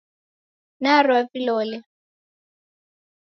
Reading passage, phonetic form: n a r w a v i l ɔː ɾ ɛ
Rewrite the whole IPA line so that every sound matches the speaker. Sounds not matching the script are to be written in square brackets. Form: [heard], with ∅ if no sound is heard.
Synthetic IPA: n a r w a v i l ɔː [l] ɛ